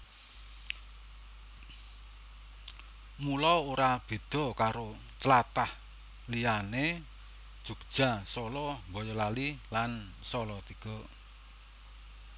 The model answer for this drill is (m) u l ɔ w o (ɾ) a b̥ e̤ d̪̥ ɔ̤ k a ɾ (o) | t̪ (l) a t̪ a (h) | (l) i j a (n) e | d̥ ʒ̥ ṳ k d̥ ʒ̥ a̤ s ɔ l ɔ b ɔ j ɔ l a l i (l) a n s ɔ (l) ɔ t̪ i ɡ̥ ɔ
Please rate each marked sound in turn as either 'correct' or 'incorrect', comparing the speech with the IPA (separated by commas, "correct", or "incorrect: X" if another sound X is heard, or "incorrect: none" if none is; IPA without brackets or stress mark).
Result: correct, correct, correct, correct, correct, correct, correct, correct, correct